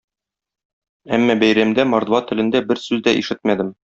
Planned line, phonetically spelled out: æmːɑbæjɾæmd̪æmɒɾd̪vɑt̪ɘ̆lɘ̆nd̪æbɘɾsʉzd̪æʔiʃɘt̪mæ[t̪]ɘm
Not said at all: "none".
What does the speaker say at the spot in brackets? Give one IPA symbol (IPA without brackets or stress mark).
d̪